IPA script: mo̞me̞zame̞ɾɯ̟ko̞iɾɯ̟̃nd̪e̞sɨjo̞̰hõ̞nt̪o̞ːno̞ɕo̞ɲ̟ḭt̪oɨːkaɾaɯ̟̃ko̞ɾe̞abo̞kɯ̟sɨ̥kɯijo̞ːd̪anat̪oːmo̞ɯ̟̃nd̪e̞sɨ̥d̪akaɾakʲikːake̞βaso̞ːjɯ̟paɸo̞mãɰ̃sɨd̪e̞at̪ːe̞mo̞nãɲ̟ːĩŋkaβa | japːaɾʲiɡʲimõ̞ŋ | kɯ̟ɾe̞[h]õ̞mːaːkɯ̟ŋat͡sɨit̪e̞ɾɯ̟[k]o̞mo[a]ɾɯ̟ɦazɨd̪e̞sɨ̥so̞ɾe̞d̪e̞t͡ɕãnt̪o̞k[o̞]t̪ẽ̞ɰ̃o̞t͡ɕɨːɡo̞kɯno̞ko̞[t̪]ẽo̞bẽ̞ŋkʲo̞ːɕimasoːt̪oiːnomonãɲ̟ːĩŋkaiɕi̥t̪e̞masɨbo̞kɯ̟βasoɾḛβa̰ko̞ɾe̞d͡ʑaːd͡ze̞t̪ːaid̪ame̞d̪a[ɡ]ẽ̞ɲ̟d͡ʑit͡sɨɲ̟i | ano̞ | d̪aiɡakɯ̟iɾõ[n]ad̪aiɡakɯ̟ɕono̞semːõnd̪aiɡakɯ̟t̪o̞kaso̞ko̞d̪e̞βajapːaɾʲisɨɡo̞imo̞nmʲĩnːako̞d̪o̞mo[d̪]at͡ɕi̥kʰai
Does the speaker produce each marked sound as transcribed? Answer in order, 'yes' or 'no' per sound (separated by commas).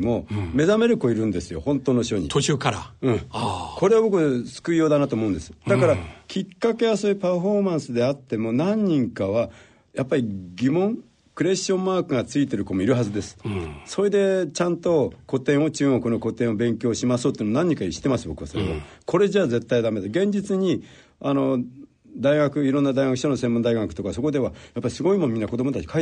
no, yes, no, yes, yes, yes, no, no